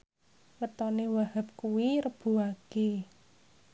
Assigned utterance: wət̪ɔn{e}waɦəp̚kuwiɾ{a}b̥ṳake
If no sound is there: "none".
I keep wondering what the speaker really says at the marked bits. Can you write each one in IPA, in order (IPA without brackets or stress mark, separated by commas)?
e, ə